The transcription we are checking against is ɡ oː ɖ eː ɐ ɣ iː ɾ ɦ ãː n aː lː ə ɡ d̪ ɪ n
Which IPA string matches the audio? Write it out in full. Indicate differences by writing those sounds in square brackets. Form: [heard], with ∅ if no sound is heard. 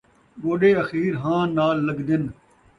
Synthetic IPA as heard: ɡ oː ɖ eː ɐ [x] iː ɾ ɦ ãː n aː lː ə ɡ d̪ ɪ n